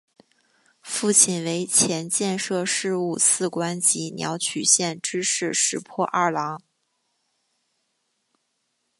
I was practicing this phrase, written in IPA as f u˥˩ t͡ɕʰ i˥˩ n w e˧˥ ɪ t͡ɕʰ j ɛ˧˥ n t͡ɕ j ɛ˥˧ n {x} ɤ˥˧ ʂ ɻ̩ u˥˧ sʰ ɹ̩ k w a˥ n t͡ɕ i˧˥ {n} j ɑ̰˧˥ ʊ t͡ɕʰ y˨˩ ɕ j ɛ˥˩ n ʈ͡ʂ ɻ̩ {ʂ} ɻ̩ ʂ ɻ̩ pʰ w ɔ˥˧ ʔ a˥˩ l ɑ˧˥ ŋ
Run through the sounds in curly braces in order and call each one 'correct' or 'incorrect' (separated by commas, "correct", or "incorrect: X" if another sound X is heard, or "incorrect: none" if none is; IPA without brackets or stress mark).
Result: incorrect: ʂ, correct, correct